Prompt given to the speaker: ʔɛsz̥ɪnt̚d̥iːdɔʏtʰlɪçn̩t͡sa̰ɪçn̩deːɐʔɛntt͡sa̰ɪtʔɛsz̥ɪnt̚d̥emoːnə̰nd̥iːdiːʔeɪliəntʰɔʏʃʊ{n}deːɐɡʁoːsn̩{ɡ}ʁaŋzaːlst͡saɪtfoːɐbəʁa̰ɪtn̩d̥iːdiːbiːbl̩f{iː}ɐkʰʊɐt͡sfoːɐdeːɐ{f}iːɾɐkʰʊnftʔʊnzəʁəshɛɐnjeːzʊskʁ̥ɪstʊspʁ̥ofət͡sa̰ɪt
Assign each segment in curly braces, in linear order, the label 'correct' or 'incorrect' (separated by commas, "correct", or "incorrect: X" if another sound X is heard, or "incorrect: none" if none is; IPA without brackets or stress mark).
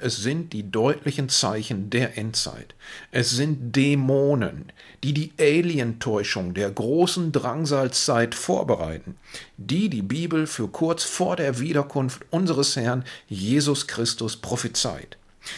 incorrect: ŋ, incorrect: d, incorrect: yː, incorrect: v